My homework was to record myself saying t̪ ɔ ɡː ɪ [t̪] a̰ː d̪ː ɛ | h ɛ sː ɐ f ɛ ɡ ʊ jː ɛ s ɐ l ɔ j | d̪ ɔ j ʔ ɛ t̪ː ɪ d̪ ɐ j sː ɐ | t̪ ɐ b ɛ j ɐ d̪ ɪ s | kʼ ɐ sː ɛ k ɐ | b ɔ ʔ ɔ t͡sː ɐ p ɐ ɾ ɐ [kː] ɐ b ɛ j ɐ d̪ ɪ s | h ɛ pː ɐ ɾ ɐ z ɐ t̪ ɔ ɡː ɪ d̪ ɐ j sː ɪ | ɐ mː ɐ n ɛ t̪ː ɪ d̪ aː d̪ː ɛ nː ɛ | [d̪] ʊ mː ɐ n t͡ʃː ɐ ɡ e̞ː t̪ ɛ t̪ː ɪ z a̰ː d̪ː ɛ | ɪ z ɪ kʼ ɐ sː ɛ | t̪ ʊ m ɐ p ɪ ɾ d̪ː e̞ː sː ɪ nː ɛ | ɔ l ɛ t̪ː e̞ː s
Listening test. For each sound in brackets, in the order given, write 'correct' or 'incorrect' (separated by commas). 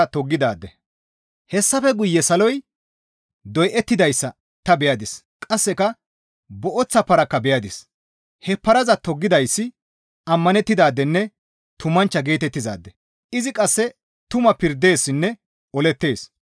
incorrect, correct, incorrect